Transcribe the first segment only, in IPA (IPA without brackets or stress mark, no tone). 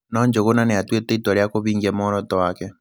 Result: n